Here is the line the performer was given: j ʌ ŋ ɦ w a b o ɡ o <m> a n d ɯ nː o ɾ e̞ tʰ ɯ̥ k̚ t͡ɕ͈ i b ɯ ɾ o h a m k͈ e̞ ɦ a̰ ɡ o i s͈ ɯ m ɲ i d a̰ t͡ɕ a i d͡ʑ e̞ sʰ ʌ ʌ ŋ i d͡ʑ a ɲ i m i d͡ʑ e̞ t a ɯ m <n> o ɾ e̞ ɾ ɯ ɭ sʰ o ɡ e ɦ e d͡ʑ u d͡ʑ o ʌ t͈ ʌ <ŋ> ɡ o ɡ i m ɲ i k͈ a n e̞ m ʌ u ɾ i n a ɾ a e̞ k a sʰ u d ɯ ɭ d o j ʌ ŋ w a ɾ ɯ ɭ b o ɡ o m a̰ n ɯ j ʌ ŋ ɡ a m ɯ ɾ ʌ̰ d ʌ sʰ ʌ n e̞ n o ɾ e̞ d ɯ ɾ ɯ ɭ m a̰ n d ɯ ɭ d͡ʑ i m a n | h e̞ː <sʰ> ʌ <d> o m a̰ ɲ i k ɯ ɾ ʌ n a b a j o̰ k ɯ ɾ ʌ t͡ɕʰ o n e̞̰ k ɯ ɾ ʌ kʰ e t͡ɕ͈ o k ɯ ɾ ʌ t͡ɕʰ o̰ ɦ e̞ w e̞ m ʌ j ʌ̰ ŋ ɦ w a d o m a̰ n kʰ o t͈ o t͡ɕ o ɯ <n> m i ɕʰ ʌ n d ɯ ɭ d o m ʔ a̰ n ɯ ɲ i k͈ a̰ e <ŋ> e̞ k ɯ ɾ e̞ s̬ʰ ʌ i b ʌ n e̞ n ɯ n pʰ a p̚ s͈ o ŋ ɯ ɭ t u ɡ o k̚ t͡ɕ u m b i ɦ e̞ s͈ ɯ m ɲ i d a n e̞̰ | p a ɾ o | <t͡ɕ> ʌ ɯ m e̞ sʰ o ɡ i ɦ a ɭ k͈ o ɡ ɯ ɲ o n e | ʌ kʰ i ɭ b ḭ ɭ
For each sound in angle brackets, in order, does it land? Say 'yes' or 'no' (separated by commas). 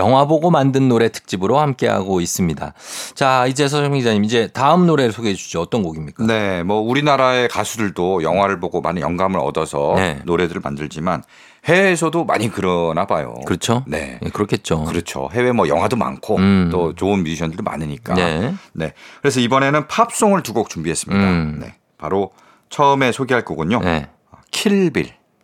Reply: yes, yes, no, yes, yes, yes, no, no